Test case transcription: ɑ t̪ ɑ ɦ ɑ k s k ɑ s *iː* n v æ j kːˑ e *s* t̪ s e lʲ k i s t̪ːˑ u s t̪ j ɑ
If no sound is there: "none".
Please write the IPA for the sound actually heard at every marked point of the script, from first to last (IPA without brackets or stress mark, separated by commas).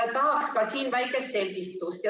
iː, s